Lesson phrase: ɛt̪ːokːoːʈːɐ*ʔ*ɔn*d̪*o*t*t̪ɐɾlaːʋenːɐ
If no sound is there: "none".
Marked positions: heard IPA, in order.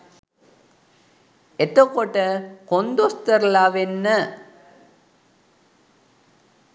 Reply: k, d̪, s

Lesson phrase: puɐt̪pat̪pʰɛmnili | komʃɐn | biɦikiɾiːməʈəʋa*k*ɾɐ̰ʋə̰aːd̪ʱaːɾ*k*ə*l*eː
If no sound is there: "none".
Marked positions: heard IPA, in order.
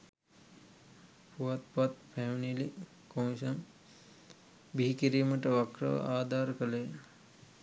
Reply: k, k, l

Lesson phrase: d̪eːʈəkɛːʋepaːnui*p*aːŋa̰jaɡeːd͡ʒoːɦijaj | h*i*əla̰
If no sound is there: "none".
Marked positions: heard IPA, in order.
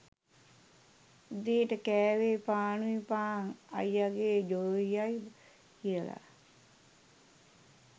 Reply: p, i

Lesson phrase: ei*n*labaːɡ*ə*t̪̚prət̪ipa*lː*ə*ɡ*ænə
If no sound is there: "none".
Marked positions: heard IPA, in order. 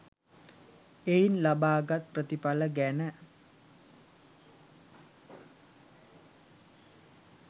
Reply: n, a, l, ɡ

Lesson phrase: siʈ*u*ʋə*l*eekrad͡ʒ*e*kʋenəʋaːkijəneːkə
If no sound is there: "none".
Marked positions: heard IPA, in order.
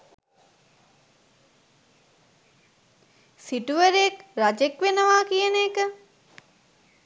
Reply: u, ɾ, e

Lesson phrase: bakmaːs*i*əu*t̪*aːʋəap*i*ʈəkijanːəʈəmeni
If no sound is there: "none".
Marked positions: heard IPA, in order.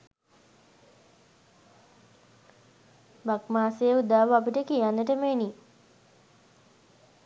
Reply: e, d̪, i

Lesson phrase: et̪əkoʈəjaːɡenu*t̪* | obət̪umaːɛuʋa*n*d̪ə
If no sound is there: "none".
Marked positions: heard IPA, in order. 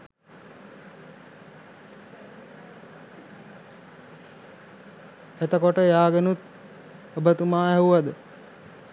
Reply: t̪, none

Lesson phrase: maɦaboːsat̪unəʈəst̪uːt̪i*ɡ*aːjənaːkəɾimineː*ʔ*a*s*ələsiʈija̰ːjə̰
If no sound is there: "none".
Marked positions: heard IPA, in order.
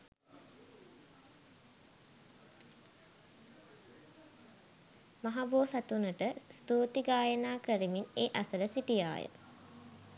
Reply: ɡ, ʔ, s

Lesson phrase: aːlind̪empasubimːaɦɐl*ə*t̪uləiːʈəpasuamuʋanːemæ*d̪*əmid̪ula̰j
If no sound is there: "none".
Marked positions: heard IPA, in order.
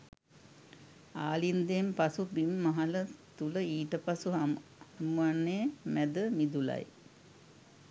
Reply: ə, d̪

